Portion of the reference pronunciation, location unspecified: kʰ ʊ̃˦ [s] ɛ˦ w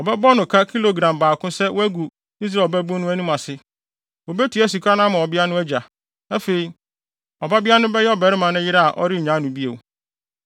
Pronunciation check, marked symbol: correct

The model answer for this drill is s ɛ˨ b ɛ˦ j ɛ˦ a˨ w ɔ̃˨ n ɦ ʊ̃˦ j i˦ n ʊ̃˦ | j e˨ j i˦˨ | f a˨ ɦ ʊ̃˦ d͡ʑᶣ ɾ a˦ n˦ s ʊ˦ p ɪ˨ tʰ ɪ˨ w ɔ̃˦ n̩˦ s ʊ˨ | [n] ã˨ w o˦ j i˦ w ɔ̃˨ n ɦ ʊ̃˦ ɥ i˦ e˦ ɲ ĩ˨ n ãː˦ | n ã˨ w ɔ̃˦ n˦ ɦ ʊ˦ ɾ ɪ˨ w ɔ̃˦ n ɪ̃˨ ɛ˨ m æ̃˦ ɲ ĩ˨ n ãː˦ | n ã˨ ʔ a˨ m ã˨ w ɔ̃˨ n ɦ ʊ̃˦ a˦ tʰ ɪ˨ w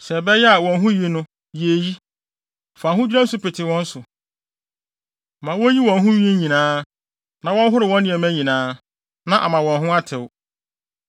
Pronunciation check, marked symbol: incorrect: m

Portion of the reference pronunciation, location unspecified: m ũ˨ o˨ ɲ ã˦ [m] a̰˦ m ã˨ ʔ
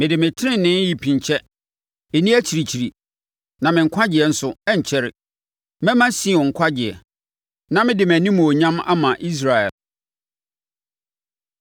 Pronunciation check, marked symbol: correct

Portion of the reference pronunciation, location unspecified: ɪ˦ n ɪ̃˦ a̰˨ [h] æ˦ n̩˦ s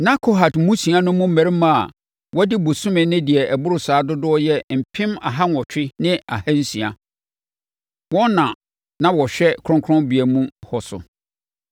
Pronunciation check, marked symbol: correct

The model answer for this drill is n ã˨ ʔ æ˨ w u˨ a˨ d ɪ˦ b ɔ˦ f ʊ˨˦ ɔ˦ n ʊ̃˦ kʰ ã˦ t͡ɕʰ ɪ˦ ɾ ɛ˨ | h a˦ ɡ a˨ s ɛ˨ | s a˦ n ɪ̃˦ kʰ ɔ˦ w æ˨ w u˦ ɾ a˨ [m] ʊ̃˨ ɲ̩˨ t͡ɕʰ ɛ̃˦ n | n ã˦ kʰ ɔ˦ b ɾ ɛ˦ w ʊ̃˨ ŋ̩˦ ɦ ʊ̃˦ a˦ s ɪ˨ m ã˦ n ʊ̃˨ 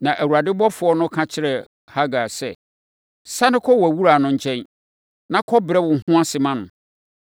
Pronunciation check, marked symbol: incorrect: n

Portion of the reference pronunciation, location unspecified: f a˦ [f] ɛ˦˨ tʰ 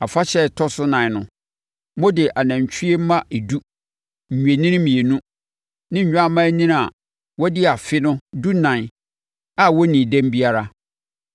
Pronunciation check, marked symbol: incorrect: ɕ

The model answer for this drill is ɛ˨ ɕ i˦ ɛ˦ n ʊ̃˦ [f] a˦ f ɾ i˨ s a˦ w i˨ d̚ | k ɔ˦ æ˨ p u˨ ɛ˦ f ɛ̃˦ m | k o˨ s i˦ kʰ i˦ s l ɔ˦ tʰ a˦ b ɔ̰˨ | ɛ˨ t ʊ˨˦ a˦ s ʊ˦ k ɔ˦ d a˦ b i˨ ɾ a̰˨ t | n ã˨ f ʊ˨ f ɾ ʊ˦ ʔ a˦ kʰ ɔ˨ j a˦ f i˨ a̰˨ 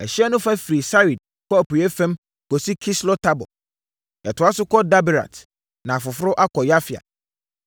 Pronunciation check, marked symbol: correct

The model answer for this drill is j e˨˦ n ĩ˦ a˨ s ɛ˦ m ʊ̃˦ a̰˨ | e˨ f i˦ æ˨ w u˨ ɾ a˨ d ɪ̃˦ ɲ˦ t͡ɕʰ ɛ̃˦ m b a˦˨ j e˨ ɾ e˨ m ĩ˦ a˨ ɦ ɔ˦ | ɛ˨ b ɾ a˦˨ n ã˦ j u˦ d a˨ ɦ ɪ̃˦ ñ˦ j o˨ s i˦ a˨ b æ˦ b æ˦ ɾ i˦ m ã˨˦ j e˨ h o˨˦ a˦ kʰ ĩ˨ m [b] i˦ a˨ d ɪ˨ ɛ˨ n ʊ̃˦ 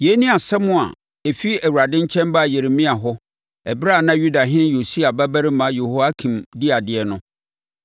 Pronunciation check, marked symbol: incorrect: d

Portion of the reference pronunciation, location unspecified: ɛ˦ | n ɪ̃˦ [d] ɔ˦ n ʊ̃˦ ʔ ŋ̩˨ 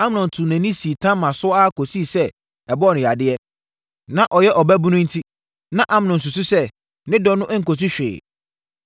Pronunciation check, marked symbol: correct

